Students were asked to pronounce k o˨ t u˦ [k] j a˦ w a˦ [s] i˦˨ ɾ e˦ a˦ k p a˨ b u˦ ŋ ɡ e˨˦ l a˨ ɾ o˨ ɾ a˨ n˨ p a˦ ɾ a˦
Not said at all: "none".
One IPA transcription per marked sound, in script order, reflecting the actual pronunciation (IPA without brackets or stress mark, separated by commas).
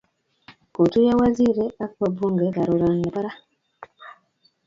none, z